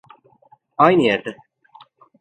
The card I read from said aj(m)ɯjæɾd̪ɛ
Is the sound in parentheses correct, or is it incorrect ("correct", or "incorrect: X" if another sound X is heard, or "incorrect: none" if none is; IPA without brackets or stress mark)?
incorrect: n